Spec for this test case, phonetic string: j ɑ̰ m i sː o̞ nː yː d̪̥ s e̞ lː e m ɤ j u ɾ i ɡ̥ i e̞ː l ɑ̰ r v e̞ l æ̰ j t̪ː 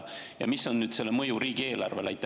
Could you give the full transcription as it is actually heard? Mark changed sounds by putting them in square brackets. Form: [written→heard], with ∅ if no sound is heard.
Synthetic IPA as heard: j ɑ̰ m i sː o̞ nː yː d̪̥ s e̞ lː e m ɤ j u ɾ [i→iː] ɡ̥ i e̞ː l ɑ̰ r v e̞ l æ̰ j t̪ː